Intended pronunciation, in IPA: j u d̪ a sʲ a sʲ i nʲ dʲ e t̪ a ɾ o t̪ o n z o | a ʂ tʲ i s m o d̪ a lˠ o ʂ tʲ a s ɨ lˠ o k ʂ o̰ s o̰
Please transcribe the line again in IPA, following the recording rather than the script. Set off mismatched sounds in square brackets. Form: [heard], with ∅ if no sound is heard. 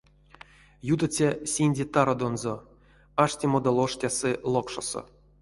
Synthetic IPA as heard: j u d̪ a [t͡sʲ] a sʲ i nʲ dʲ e t̪ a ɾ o [d̪] o n z o | a ʂ tʲ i [∅] m o d̪ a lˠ o ʂ tʲ a s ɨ lˠ o k ʂ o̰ s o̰

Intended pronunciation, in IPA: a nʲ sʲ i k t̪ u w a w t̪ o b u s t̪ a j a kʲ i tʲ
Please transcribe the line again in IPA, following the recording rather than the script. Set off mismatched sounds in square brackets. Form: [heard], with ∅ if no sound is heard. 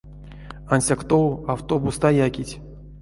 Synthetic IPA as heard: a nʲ sʲ [a] k t̪ [o] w a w t̪ o b u s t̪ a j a kʲ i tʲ

